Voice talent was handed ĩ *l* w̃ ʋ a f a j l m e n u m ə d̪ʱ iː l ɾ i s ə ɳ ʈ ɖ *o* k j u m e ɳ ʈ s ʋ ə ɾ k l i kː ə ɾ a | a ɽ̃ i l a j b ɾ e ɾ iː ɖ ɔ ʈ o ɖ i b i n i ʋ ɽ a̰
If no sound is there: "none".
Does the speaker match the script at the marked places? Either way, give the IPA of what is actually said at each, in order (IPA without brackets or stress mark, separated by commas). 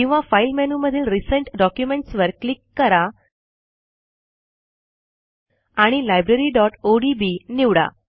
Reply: none, ɔ